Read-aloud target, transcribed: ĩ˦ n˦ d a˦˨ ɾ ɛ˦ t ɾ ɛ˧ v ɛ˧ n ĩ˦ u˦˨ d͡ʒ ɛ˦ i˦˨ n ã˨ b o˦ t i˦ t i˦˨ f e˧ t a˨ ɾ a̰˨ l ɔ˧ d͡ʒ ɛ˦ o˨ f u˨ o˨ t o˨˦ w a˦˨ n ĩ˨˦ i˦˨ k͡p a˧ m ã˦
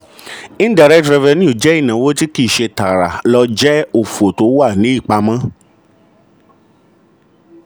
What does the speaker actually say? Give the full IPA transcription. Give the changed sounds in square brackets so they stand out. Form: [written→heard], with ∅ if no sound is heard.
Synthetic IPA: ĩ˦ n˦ d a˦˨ ɾ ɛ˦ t ɾ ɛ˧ v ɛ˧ n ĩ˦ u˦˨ d͡ʒ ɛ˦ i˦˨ n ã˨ [b→w] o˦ t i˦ [t→k] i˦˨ [f→ʃ] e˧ t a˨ ɾ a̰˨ l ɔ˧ d͡ʒ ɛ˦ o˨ f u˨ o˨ t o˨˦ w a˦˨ n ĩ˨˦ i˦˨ k͡p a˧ m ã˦